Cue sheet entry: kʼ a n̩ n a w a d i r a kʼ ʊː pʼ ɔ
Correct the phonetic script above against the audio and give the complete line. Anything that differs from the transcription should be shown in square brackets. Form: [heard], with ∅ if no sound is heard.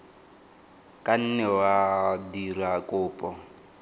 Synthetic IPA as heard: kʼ a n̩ n [ɛ] w a d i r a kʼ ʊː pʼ ɔ